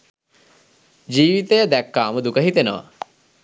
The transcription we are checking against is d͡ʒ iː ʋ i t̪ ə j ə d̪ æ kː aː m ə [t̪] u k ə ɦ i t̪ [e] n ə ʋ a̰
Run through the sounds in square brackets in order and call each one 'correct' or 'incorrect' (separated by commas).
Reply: incorrect, correct